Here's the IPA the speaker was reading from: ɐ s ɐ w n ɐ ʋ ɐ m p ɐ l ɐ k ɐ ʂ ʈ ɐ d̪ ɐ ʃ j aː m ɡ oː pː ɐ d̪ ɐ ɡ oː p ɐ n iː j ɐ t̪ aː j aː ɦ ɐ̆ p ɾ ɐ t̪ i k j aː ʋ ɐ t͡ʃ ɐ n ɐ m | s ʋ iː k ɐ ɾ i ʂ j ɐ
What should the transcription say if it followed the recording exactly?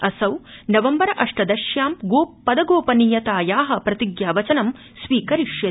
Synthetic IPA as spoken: ɐ s ɐ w n ɐ ʋ ɐ m b ɐ ɾ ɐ ʔ ɐ ʂ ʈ ɐ d̪ ɐ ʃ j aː m ɡ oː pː ɐ d̪ ɐ ɡ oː p ɐ n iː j ɐ t̪ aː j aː ɦ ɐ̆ p ɾ ɐ t̪ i ɡ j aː ʋ ɐ t͡ʃ ɐ n ɐ m | s ʋ iː k ɐ ɾ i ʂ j ɐ

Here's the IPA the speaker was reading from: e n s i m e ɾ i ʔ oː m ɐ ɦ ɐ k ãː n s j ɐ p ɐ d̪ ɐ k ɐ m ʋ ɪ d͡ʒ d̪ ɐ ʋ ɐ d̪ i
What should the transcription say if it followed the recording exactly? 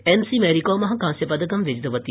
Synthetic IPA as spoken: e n s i m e ɾ i k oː m ɐ ɦ ɐ k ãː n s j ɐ p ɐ d̪ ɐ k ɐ m ʋ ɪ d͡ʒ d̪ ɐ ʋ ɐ t̪ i

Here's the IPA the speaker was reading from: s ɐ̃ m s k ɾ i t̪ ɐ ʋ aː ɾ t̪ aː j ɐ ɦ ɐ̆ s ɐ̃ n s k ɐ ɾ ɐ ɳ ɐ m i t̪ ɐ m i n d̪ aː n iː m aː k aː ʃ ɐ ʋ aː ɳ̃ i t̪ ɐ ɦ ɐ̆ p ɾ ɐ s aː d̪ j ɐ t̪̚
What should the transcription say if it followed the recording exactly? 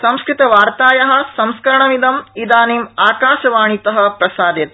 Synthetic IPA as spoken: s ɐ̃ m s k ɾ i t̪ ɐ ʋ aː ɾ t̪ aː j ɐ ɦ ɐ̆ s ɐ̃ m s k ɐ ɾ ɐ ɳ ɐ m i d̪ ɐ m i d̪ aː n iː m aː k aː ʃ ɐ ʋ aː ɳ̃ i t̪ ɐ ɦ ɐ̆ p ɾ ɐ s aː d̪ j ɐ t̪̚

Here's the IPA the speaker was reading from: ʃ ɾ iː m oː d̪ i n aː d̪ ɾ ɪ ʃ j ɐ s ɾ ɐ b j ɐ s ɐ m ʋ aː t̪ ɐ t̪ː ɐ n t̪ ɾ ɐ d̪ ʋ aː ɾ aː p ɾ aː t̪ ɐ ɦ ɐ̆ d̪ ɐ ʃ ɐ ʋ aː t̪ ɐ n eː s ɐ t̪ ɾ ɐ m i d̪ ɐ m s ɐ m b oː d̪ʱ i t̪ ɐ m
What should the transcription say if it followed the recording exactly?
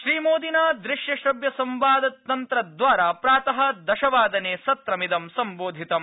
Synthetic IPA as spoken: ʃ ɾ iː m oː d̪ i n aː d̪ ɾ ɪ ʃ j ɐ ʃ ɾ ɐ b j ɐ s ɐ m ʋ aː d̪ ɐ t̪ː ɐ n t̪ ɾ ɐ d̪ ʋ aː ɾ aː p ɾ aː t̪ ɐ ɦ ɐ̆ d̪ ɐ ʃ ɐ ʋ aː d̪ ɐ n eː s ɐ t̪ ɾ ɐ m i d̪ ɐ m s ɐ m b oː d̪ʱ i t̪ ɐ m

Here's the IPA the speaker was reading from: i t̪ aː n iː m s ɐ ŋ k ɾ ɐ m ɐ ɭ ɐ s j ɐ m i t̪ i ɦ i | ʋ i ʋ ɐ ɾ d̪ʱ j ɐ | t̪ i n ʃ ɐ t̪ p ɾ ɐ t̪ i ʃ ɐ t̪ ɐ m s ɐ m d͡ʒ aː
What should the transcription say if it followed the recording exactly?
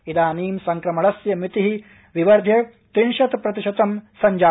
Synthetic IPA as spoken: i d̪ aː n iː m s ɐ ŋ k ɾ ɐ m ɐ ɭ ɐ s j ɐ m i t̪ i ɦ i | ʋ i ʋ ɐ ɾ d̪ʱ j ɐ | t̪ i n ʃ ɐ t̪ p ɾ ɐ t̪ i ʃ ɐ t̪ ɐ m s ɐ ɲ d͡ʒ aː

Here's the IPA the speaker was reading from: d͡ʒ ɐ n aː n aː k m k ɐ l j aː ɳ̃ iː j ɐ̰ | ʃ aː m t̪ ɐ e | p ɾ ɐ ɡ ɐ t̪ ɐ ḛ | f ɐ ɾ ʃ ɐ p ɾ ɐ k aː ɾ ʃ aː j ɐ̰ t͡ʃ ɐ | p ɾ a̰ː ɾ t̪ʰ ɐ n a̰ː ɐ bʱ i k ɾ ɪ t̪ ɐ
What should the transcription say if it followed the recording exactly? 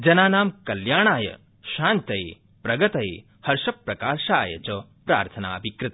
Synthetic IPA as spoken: d͡ʒ ɐ n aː n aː m k ɐ l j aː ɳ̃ aː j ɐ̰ | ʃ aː n t̪ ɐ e | p ɾ ɐ ɡ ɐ t̪ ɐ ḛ | h ɐ ɾ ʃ ɐ p ɾ ɐ k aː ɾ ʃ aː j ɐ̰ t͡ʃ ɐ | p ɾ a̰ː ɾ t̪ʰ ɐ n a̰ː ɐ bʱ i k ɾ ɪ t̪ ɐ

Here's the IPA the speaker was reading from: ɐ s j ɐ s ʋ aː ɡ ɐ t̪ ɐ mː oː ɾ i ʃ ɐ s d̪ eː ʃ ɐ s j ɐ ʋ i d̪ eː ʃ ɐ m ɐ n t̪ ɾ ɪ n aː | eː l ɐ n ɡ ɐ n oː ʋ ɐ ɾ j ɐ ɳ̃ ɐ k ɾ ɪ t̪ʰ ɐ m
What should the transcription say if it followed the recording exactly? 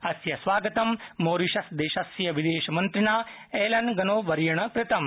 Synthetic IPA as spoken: ɐ s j ɐ s ʋ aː ɡ ɐ t̪ ɐ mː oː ɾ i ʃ ɐ s d̪ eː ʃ ɐ s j ɐ ʋ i d̪ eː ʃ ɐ m ɐ n t̪ ɾ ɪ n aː | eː l ɐ n ɡ ɐ n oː ʋ ɐ ɾ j ɐ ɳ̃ ɐ k ɾ ɪ t̪ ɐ m

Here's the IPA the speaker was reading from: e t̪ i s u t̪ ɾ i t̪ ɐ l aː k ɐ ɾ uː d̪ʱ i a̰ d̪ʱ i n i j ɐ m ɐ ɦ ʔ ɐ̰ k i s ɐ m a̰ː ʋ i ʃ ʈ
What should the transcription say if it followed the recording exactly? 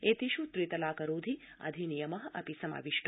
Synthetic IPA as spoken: e t̪ i ʃ u t̪ ɾ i t̪ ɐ l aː k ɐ ɾ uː d̪ʱ i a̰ d̪ʱ i n i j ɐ m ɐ ɦ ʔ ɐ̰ p i s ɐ m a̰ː ʋ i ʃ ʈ

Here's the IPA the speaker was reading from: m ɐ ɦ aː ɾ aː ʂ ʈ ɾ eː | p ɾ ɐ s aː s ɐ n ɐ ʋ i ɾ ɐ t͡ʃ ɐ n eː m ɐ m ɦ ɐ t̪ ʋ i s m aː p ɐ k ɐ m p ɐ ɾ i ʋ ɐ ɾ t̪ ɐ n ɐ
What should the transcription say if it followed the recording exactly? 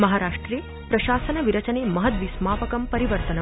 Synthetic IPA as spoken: m ɐ ɦ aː ɾ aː ʂ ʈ ɾ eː | p ɾ ɐ ʃ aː s ɐ n ɐ ʋ i ɾ ɐ t͡ʃ ɐ n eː m ɐ ɦ ɐ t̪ ʋ i s m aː p ɐ k ɐ m p ɐ ɾ i ʋ ɐ ɾ t̪ ɐ n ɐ

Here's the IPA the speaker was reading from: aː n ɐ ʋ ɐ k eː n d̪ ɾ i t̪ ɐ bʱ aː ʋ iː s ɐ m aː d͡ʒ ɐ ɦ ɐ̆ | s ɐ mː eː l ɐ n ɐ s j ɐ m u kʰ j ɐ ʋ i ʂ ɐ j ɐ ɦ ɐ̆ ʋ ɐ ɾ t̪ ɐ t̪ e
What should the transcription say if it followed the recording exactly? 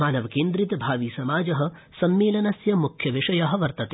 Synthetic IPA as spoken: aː n ɐ ʋ ɐ k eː n d̪ ɾ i t̪ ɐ bʱ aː ʋ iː s ɐ m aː d͡ʒ ɐ ɦ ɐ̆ | s ɐ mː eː l ɐ n ɐ s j ɐ m u kʰ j ɐ ʋ i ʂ ɐ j ɐ ɦ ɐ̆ ʋ ɐ ɾ t̪ ɐ t̪ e

